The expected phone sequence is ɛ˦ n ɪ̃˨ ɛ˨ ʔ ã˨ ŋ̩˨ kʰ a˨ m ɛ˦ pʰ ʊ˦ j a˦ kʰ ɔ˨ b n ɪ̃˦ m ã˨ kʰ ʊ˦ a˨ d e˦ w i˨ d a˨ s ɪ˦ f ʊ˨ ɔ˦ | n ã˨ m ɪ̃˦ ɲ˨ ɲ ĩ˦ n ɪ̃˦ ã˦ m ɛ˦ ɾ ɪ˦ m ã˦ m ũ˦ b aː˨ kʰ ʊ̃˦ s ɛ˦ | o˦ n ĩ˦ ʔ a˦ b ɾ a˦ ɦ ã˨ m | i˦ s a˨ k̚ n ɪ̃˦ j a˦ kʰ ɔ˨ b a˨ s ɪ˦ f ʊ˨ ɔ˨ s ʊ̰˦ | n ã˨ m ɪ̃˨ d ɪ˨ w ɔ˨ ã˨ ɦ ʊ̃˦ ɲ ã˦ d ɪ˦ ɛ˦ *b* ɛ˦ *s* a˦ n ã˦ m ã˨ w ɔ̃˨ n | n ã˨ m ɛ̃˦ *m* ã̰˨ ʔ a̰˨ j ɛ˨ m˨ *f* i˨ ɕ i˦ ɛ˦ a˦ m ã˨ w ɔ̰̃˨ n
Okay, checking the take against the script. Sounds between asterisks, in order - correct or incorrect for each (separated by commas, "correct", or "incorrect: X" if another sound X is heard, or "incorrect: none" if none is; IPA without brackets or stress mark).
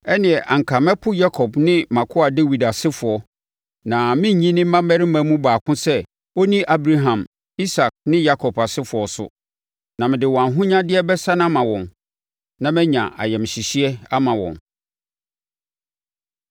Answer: correct, correct, incorrect: ɲ, incorrect: ɕ